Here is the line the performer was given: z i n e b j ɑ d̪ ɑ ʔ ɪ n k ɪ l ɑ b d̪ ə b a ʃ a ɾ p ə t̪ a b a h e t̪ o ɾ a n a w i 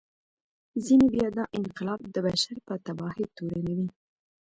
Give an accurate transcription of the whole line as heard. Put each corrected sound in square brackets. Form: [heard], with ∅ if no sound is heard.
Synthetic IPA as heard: z i n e b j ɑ d̪ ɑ ʔ ɪ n [q] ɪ l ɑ b d̪ ə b a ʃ a ɾ p ə t̪ a b [ɑ] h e t̪ o ɾ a n a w i